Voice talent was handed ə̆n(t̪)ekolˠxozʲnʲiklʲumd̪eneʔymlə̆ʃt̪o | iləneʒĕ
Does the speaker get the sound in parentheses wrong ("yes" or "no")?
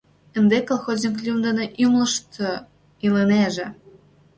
yes